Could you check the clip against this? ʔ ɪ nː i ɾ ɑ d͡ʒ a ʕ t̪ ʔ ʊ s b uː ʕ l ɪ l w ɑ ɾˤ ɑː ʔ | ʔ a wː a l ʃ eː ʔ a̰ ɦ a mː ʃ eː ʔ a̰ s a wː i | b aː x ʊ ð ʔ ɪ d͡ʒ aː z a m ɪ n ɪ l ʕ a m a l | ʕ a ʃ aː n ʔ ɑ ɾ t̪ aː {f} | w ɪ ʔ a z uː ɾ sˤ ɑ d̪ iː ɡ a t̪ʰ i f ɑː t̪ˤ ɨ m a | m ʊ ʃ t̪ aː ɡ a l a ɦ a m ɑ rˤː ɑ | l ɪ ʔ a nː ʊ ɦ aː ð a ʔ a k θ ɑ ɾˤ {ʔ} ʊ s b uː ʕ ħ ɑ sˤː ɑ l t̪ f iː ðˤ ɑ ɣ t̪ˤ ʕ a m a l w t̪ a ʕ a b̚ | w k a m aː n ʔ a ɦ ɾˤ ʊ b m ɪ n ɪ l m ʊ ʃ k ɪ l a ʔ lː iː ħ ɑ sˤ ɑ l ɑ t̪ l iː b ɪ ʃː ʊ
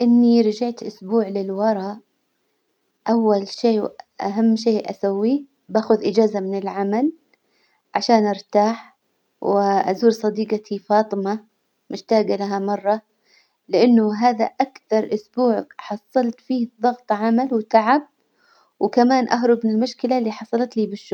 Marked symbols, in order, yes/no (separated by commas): no, yes